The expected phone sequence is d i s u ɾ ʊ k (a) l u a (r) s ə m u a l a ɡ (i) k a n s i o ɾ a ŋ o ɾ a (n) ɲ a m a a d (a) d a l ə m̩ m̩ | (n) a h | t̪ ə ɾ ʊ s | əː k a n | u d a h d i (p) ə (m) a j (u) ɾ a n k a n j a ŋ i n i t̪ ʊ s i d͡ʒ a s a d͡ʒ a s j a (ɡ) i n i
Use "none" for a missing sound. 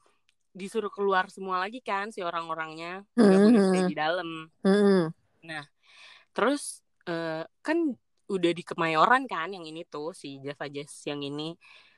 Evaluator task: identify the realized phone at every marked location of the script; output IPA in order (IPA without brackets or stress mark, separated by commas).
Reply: ə, r, i, ŋ, i, n, k, m, o, ŋ